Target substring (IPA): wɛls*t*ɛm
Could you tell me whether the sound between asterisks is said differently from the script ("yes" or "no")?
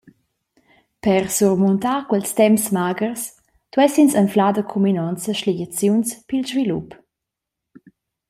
no